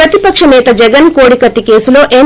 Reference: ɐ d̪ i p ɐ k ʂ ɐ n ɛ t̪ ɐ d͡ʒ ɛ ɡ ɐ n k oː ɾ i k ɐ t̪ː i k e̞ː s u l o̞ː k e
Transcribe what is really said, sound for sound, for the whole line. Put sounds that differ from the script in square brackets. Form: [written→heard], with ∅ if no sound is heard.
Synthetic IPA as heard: ɐ [d̪→t̪] i p ɐ k ʂ ɐ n [ɛ→ɛː] t̪ ɐ d͡ʒ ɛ ɡ ɐ n k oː [ɾ→ɽ] i k ɐ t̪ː i k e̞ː s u l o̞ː [k→ʔ] e